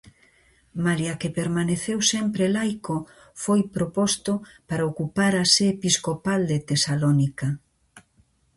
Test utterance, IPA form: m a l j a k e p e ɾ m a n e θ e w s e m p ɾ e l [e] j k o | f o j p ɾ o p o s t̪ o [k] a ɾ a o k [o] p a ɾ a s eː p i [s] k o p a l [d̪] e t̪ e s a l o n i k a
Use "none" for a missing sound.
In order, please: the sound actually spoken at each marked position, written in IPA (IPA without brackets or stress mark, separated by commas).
a, p, u, s, d̪